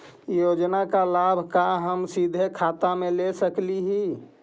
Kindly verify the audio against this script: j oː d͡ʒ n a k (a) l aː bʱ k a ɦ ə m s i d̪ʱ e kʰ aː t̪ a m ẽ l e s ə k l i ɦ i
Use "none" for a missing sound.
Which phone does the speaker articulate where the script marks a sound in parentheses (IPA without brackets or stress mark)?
a